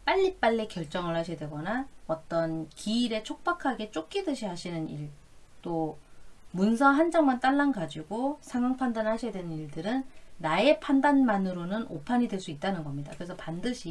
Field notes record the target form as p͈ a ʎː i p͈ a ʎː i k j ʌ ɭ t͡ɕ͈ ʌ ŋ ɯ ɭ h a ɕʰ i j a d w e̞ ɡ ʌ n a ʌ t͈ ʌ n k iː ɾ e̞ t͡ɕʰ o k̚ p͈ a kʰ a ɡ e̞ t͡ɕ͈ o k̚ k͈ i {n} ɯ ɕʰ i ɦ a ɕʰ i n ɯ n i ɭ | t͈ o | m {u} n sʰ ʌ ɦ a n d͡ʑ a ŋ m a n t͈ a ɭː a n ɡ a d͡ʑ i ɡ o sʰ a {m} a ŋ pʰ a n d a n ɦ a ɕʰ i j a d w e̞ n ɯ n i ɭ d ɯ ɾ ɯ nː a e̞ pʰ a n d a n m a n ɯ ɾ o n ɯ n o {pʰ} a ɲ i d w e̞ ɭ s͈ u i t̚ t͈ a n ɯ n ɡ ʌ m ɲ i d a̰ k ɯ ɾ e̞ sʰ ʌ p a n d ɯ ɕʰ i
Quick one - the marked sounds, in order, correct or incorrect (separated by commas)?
incorrect, correct, incorrect, correct